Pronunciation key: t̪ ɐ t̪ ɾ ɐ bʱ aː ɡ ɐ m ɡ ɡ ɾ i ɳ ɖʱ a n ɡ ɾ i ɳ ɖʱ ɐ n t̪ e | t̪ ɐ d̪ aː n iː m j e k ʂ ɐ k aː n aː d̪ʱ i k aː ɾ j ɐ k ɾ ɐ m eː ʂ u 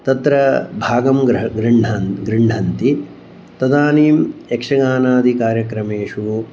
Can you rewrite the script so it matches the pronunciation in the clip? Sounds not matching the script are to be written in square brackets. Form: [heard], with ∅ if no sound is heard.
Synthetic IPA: t̪ ɐ t̪ ɾ ɐ bʱ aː ɡ ɐ m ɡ ɡ ɾ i ɳ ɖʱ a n ɡ ɾ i ɳ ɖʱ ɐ n t̪ [i] | t̪ ɐ d̪ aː n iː m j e k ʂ ɐ [ɡ] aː n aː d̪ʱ i k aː ɾ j ɐ k ɾ ɐ m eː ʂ u